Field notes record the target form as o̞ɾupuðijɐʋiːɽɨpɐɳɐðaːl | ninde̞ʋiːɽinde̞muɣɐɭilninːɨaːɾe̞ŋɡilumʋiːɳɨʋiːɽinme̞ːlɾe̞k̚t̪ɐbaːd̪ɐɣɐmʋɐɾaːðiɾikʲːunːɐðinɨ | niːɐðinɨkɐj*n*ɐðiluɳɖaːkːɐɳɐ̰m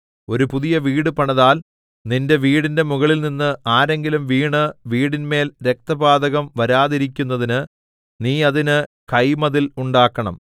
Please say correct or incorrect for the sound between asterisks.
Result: incorrect